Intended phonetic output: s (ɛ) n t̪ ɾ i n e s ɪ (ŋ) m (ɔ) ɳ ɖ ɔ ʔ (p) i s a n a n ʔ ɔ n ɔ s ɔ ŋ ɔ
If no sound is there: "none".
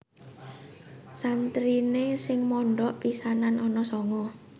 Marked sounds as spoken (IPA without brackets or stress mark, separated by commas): a, ŋ, ɔ, p